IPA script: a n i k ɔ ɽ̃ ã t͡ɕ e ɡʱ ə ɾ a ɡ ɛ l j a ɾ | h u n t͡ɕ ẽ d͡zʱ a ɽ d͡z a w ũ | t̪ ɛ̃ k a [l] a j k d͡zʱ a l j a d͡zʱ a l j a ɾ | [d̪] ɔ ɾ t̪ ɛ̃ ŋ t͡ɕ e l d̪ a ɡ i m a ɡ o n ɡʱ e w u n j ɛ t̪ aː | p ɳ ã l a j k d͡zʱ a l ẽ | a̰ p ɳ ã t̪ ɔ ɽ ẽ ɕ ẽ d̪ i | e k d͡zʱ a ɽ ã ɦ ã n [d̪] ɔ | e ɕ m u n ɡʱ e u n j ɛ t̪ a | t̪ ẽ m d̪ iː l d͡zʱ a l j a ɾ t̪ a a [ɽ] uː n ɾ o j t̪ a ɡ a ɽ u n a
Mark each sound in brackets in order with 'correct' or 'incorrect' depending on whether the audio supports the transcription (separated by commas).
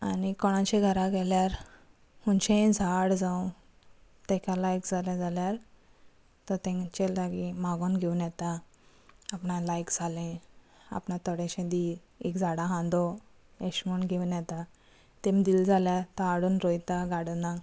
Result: correct, incorrect, correct, correct